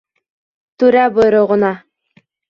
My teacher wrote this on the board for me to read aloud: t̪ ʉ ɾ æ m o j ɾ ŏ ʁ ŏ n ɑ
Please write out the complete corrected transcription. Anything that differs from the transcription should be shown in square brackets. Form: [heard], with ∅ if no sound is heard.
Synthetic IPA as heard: t̪ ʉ ɾ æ [b] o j ɾ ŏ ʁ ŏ n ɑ